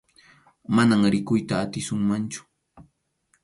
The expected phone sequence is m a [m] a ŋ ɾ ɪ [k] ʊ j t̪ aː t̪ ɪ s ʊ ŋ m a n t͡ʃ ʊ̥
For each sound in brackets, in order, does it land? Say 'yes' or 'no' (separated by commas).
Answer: no, yes